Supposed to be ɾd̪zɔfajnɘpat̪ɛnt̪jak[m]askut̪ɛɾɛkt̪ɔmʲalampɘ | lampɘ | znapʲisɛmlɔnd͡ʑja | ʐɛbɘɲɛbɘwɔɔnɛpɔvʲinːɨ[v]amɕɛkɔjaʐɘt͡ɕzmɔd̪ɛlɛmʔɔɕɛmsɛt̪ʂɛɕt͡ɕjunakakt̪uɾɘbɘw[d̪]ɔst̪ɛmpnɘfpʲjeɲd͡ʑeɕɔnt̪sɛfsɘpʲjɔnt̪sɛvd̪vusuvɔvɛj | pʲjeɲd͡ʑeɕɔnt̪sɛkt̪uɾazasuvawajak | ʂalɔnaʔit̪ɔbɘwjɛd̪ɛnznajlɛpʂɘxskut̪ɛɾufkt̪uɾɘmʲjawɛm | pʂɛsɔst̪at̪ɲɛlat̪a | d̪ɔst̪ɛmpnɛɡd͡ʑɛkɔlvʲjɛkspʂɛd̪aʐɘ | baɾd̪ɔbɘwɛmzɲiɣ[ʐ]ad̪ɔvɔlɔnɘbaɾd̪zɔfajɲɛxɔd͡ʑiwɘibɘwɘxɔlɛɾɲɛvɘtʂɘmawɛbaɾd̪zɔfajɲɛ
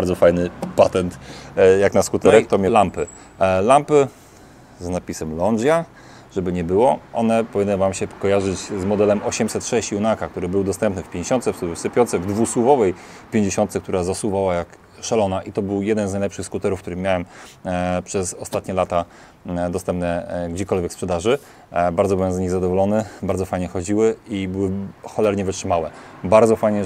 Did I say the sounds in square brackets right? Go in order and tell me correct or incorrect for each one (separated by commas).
incorrect, correct, correct, incorrect